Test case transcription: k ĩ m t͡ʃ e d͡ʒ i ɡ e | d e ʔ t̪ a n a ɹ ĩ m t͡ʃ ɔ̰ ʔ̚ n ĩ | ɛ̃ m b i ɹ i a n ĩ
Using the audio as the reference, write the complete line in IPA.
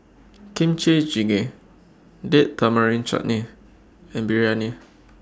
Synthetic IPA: k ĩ m t͡ʃ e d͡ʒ i ɡ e | d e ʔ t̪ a m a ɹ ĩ n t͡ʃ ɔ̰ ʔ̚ n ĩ | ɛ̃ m b i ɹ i a n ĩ